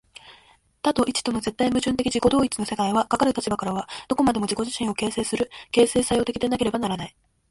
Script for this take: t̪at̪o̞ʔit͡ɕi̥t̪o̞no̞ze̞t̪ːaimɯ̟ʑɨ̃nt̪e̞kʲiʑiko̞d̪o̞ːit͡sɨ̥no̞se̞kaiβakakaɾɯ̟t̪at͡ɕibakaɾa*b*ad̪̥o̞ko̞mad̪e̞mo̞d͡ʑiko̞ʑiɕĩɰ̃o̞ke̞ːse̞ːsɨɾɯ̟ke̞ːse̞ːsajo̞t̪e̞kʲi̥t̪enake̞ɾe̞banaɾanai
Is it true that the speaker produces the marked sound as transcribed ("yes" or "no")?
no